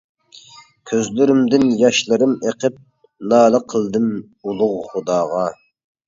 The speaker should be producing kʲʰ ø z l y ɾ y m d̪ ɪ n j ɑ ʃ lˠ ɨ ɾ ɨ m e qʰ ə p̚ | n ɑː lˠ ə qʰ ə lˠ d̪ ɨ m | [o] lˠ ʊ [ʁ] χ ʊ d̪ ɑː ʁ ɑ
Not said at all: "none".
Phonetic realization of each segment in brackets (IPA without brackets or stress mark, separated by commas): u, ʁ